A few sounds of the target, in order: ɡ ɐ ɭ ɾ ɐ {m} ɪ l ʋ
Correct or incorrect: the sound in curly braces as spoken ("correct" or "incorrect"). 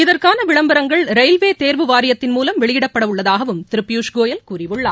incorrect